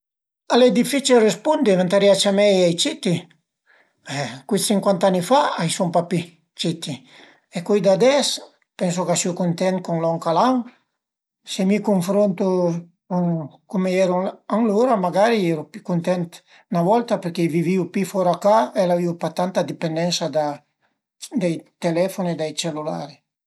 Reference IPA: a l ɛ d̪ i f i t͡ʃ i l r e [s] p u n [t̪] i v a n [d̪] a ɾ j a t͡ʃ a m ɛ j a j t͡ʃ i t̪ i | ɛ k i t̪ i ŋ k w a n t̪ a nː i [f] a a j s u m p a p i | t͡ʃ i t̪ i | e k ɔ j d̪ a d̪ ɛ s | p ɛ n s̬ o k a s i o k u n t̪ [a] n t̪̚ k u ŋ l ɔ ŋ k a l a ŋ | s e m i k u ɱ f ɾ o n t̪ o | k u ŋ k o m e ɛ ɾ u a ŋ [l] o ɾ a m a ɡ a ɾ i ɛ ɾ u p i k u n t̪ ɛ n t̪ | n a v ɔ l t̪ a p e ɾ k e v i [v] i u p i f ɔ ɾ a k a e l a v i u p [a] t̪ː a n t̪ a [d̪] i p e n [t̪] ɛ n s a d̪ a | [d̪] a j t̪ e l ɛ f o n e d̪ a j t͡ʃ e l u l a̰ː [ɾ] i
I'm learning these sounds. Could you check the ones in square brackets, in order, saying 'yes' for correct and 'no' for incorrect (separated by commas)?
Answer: yes, no, no, yes, no, yes, yes, yes, yes, no, yes, yes